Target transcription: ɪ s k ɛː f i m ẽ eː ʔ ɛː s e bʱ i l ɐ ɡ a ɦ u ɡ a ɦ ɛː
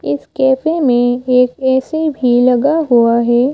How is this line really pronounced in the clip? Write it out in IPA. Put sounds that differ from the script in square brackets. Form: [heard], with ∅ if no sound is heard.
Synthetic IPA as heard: ɪ s k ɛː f [e] m ẽ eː [k] ɛː s e bʱ i l ɐ ɡ a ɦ u [∅] a ɦ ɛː